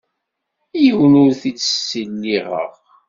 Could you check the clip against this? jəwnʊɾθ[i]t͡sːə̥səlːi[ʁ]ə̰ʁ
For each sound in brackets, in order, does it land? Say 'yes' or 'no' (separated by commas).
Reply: yes, yes